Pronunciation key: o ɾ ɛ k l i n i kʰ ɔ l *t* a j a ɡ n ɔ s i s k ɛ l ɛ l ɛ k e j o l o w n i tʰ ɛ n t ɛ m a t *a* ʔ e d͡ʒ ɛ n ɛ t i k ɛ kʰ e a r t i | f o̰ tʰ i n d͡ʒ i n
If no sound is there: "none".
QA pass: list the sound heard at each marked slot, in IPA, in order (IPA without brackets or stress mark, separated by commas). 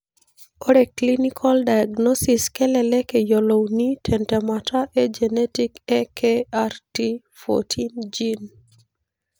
d, a